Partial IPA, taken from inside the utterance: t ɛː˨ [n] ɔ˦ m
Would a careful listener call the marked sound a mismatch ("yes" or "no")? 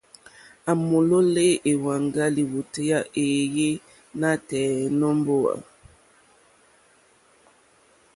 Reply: no